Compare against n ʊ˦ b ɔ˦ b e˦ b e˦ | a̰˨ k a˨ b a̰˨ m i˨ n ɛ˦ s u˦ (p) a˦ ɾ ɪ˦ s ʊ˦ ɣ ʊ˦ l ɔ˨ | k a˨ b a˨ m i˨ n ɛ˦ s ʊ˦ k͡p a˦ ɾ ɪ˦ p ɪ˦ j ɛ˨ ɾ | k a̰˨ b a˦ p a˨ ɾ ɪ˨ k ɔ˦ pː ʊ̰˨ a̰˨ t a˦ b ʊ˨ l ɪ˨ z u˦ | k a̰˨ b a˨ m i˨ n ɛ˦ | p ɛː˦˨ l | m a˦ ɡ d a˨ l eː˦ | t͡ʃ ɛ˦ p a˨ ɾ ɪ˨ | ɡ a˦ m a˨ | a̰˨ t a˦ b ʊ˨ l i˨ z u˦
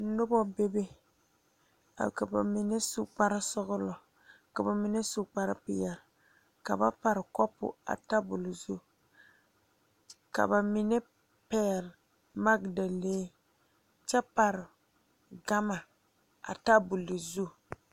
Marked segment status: incorrect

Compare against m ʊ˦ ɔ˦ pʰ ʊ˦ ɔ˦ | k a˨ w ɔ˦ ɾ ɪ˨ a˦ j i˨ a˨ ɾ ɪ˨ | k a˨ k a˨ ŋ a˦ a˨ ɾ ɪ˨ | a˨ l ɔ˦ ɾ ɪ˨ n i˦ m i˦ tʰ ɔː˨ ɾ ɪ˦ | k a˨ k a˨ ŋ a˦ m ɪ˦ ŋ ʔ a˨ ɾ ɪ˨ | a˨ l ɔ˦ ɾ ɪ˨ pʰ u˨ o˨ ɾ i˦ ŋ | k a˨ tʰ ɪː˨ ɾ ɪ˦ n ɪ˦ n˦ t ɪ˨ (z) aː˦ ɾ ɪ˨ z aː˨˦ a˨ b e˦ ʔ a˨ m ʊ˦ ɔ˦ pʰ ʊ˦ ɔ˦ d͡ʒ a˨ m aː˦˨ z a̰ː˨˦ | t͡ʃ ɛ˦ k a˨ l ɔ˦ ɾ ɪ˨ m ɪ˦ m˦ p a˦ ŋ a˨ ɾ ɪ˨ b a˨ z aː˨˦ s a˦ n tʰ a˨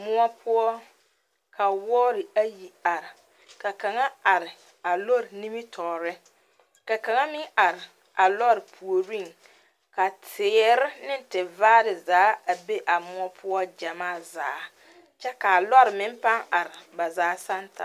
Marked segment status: incorrect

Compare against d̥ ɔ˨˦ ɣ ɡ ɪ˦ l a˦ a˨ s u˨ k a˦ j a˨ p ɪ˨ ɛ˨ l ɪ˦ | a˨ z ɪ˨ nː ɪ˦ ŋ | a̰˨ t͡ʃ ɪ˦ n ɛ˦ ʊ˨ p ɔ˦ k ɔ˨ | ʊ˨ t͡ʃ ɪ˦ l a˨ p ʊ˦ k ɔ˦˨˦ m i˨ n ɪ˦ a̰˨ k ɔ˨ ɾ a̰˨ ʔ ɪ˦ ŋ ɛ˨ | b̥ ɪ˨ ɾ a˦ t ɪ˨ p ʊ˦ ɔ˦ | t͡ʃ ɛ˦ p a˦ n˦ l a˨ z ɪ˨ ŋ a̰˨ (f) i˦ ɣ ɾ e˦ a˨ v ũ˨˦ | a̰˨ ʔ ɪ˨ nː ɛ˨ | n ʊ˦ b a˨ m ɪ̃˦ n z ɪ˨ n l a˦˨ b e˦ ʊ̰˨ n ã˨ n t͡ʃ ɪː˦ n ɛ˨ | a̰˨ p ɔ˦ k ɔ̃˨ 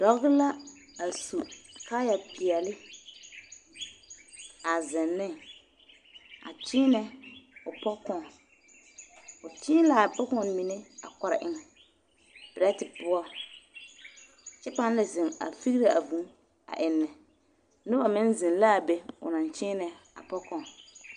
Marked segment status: correct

